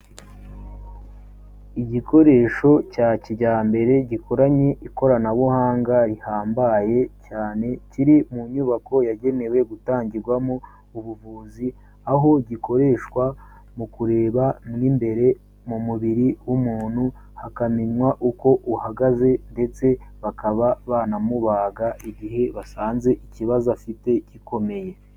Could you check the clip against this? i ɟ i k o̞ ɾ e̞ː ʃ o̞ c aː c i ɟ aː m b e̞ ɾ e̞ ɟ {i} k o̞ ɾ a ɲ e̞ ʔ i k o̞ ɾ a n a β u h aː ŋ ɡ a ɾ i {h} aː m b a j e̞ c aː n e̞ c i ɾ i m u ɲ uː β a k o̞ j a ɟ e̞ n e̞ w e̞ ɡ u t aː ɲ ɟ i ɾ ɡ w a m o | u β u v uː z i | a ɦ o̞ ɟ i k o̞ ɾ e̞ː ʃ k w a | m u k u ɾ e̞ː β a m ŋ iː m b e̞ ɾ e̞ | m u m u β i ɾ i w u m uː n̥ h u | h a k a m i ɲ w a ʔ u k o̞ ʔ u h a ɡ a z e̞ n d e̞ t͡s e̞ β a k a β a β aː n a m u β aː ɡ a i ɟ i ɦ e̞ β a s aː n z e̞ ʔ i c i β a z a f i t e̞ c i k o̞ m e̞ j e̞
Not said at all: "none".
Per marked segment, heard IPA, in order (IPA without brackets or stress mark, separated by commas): i, h